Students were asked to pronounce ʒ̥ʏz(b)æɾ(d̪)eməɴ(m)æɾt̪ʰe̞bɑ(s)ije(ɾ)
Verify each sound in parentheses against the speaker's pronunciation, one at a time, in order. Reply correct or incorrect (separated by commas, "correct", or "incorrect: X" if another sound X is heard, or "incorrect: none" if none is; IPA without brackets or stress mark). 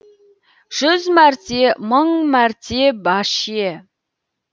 incorrect: m, incorrect: t̪, correct, incorrect: ʃ, incorrect: none